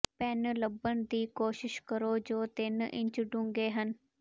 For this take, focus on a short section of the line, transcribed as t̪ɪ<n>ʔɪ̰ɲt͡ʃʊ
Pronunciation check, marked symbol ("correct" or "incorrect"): correct